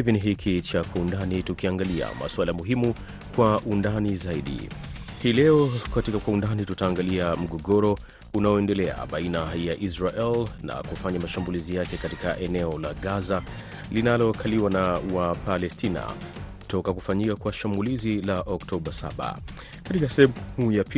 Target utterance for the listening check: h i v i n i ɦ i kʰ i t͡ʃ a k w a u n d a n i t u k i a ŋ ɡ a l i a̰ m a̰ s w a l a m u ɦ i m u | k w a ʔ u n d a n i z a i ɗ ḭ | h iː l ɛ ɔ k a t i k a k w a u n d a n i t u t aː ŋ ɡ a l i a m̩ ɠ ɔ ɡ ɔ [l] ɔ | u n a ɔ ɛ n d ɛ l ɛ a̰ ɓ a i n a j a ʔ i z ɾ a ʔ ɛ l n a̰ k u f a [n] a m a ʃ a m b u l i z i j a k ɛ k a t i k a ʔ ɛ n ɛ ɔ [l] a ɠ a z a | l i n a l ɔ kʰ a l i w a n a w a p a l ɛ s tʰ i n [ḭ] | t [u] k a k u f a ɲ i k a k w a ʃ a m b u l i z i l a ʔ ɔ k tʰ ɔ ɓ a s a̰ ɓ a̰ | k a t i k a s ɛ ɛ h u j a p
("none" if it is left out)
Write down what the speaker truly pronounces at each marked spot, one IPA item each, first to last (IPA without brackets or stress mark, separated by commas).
ɾ, ɲ, l, a̰, ɔ